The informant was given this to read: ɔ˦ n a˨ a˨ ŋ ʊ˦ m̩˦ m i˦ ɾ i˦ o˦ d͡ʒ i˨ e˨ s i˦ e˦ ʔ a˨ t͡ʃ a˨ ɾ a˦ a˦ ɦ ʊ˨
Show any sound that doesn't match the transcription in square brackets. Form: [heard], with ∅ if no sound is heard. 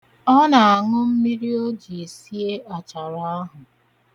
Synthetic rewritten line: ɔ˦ n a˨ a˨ ŋ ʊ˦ m̩˦ m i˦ ɾ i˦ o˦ d͡ʒ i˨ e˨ s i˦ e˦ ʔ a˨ t͡ʃ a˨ ɾ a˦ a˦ ɦ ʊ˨